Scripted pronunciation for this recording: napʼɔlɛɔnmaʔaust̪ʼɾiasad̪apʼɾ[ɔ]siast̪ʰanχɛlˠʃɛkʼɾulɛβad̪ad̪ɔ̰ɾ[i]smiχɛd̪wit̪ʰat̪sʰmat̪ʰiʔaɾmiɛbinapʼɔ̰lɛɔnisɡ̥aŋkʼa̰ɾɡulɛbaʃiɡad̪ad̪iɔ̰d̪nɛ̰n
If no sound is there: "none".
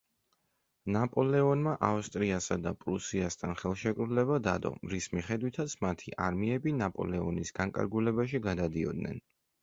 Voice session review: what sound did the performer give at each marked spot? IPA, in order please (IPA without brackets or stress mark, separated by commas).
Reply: u, i